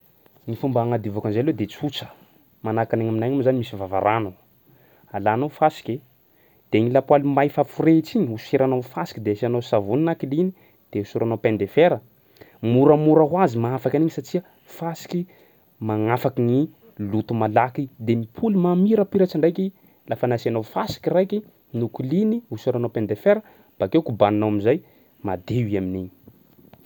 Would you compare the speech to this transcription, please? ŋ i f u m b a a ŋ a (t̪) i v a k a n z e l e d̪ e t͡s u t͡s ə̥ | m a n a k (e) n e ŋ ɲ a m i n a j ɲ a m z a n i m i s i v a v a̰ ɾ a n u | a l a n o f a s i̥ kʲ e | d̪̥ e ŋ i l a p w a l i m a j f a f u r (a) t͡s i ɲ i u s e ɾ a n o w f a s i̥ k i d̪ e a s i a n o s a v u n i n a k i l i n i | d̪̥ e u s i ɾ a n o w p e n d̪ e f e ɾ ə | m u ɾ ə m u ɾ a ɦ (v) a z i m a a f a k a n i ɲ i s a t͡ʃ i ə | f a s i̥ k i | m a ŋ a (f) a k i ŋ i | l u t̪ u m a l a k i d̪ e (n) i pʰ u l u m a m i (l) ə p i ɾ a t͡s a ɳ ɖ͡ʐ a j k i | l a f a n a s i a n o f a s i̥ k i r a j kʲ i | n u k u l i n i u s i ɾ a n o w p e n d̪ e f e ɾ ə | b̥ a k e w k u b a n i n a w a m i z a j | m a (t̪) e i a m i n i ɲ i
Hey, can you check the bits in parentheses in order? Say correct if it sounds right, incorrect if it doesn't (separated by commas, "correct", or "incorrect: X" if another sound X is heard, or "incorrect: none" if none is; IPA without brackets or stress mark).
incorrect: d̪, incorrect: a, incorrect: e, incorrect: w, correct, incorrect: m, incorrect: ɾ, incorrect: d̪